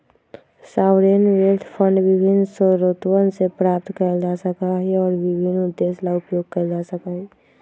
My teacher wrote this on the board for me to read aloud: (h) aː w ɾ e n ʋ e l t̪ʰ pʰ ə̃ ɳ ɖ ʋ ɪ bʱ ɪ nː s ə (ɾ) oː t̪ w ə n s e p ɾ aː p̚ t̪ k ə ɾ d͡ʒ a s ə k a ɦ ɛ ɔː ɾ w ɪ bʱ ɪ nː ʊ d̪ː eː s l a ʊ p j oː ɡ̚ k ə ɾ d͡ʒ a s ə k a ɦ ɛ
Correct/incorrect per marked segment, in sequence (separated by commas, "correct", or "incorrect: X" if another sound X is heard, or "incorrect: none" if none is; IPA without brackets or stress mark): incorrect: s, correct